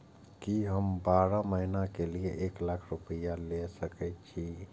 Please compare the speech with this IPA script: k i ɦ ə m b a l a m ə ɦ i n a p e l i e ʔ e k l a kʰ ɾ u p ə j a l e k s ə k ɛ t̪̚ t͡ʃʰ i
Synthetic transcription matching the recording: k i ɦ ə m b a ɾ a m ə ɦ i n a k e l i e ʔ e k l a kʰ ɾ u p ə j a l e s ə k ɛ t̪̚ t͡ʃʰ i